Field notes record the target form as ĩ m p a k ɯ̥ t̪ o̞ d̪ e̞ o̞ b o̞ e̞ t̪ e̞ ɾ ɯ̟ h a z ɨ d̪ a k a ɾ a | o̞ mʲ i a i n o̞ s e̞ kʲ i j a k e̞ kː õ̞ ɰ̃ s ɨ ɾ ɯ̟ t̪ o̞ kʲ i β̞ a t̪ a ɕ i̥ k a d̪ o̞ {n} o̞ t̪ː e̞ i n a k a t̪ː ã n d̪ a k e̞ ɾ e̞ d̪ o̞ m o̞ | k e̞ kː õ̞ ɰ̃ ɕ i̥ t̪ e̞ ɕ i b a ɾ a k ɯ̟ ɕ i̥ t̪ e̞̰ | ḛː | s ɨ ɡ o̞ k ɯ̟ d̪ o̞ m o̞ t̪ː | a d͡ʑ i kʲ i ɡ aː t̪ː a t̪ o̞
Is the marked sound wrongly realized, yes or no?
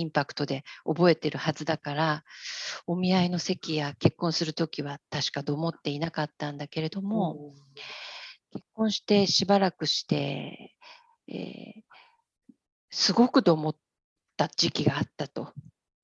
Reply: yes